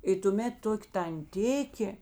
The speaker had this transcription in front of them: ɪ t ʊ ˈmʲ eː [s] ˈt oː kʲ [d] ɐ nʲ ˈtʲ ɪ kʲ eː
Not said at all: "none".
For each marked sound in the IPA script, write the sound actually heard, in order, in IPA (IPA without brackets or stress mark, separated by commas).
t, t